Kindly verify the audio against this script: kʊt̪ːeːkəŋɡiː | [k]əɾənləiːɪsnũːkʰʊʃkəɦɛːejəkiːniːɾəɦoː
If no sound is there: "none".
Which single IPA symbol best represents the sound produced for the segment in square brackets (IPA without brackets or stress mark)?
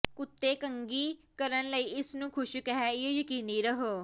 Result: k